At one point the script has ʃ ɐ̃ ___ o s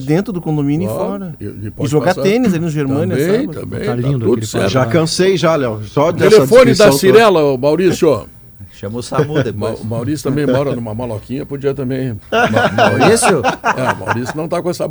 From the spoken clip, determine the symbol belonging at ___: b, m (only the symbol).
m